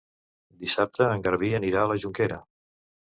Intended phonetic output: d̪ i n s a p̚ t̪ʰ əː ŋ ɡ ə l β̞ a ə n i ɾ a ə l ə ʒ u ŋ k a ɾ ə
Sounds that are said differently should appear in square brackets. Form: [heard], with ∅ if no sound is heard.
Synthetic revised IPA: d̪ i [∅] s a p̚ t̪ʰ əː ŋ ɡ ə [ɾ] β̞ [i] ə n i ɾ a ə l ə ʒ u ŋ k [e] ɾ ə